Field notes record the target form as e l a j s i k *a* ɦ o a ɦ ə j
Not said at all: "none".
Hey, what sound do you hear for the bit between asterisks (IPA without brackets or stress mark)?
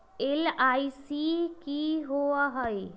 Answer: i